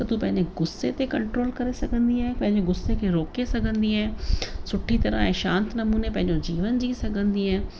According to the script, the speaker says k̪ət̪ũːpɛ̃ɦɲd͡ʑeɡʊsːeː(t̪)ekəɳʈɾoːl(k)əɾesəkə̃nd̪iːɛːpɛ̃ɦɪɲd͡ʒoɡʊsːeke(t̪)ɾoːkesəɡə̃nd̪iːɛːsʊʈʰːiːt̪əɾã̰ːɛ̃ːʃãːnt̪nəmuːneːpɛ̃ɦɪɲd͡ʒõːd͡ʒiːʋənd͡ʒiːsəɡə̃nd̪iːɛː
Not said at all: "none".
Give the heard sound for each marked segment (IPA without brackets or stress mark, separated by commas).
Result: t̪, k, none